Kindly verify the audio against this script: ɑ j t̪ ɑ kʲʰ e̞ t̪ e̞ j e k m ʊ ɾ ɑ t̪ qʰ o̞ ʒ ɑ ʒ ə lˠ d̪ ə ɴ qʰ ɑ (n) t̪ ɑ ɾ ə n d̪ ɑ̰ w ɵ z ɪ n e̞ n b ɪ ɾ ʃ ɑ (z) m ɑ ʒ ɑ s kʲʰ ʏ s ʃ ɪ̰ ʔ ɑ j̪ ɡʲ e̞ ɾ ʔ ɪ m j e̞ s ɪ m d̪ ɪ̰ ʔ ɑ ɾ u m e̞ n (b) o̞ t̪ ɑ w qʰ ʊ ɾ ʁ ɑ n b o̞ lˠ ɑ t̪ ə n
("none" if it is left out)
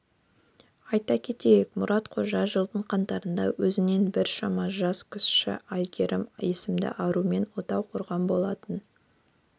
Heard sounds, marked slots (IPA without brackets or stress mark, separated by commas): n, none, w